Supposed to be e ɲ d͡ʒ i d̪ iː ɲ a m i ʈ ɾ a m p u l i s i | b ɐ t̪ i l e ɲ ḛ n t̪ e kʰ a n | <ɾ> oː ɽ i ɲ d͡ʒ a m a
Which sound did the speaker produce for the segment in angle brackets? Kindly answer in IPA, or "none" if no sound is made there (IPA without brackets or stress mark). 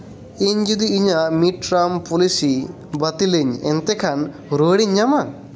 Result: ɾ